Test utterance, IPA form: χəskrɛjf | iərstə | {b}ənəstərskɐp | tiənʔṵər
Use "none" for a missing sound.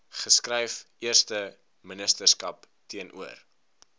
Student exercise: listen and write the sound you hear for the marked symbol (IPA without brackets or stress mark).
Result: m